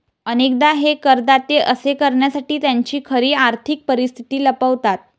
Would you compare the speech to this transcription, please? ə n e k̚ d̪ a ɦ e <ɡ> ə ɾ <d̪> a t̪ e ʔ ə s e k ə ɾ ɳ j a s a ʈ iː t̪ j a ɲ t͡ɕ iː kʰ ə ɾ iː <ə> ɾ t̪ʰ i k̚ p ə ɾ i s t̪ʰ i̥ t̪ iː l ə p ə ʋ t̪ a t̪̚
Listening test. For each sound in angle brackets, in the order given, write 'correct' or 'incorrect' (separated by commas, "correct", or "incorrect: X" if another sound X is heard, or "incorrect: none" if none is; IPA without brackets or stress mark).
incorrect: k, correct, incorrect: a